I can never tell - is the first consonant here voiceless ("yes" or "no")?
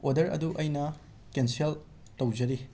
no